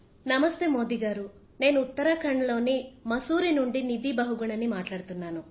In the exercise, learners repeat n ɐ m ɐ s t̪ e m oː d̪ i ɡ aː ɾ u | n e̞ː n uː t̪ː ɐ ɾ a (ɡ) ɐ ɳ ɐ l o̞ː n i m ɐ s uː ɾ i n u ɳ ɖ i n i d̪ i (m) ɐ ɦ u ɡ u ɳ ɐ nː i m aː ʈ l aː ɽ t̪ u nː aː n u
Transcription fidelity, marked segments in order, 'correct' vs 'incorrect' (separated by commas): incorrect, incorrect